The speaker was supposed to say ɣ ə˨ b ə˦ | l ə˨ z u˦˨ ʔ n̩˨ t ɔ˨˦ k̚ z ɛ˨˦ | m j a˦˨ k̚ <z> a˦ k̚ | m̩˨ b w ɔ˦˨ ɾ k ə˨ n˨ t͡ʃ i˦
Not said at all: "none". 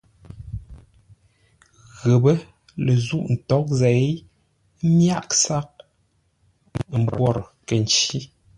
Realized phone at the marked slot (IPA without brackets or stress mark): s